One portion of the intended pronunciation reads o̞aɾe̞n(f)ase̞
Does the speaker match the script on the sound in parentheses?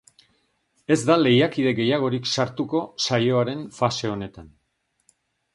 yes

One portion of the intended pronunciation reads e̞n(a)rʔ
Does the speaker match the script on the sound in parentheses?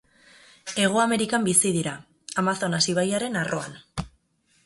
yes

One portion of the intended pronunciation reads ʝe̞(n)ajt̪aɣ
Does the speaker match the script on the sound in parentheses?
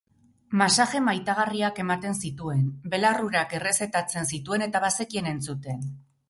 no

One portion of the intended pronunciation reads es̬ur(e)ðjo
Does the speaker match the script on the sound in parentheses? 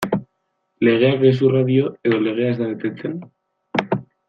no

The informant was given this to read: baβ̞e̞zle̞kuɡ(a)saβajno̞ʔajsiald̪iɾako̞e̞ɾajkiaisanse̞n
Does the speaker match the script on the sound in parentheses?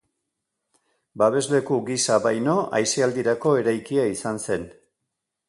no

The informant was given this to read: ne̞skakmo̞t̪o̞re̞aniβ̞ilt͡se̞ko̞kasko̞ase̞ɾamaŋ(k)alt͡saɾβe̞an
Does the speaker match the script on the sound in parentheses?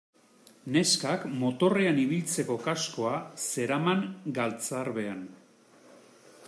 no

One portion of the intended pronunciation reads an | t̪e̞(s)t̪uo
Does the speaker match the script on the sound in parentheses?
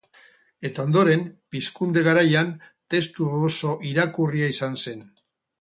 yes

